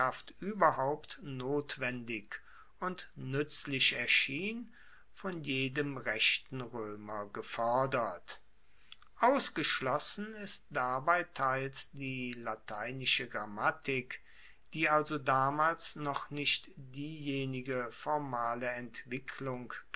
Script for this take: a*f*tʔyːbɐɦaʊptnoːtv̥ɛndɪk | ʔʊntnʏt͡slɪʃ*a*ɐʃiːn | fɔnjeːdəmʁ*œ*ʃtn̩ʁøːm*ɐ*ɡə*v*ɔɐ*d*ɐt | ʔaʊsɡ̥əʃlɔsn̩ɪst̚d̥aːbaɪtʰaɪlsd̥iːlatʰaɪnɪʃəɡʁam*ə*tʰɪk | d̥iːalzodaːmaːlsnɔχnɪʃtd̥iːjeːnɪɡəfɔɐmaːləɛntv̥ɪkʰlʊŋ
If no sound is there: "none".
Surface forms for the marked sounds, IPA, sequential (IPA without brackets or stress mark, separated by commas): f, ɛ, ɛ, ɐ, f, d, a